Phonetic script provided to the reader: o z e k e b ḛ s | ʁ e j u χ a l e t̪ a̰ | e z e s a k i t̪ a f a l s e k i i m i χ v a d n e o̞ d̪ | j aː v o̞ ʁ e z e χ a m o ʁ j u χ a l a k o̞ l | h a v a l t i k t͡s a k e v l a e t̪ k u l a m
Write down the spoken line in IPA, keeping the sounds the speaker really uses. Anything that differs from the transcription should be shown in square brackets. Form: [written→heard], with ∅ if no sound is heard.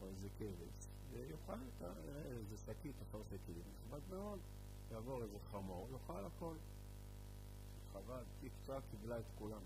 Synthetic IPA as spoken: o z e k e [b→v] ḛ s | [ʁ→v] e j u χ a l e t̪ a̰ | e z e s a k i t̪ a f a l s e k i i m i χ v a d [n→m] e o̞ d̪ | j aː v o̞ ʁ e z e χ a m o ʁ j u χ a l a k o̞ l | [h→χ] a v a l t i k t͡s a k [e→i] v l a e t̪ k u l a m